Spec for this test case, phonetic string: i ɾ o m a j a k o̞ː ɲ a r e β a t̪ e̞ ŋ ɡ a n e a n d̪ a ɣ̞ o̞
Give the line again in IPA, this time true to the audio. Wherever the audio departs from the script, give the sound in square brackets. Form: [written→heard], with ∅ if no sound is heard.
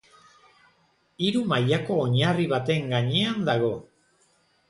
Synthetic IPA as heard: i ɾ [o→u] m a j a k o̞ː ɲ a r [e→i] β a t̪ e̞ ŋ ɡ a [n→ɲ] e a n d̪ a ɣ̞ o̞